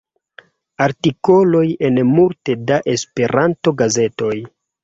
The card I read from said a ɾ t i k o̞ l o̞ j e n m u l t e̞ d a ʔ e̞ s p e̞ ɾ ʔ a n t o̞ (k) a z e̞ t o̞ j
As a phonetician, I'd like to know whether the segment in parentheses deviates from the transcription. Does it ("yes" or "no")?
yes